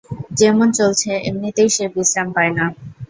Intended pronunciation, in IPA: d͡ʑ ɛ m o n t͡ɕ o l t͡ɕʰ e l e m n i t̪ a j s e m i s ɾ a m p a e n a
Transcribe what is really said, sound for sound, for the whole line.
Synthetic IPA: d͡ʑ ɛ m o n t͡ɕ o l t͡ɕʰ e e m n i t̪ e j ʃ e b i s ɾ a m p a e n a

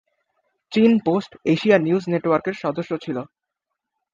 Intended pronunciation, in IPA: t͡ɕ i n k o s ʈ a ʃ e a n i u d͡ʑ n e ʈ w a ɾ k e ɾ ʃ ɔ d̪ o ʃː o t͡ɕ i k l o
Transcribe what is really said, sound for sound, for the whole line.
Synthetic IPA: t͡ɕ i n p o s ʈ e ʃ i a n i u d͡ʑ n e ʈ w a ɾ k e ɾ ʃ ɔ d̪ o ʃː o t͡ɕʰ i l o

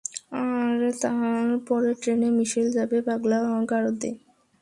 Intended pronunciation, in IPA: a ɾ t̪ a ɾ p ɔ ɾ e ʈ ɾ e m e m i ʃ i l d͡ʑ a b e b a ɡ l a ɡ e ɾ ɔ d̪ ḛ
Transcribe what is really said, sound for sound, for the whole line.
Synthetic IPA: a ɾ t̪ a ɾ p ɔ ɾ e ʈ ɾ e n e m i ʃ i l d͡ʑ a b e b a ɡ l a ɡ a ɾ o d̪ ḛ

